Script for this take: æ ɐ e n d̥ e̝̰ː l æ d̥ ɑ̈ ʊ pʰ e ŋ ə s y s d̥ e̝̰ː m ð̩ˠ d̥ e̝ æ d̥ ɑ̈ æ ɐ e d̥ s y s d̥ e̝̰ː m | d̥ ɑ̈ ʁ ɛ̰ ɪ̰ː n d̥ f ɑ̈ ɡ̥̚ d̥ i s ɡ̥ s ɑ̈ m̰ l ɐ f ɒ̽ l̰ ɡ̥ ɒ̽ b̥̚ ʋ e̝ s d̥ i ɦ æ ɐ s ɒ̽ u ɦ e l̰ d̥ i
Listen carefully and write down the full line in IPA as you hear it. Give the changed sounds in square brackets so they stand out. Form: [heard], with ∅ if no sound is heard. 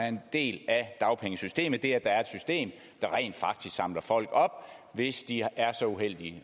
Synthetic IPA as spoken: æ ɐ e n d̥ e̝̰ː l æ d̥ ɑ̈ ʊ pʰ e ŋ ə s y s d̥ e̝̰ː m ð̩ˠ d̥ e̝ æ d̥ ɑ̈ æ ɐ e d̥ s y s d̥ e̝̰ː m | d̥ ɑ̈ ʁ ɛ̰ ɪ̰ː n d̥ f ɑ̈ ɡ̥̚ d̥ i s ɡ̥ s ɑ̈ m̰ l ɐ f ɒ̽ l̰ ɡ̥ ɒ̽ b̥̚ ʋ e̝ s d̥ i [∅] æ ɐ s ɒ̽ u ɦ e l̰ d̥ i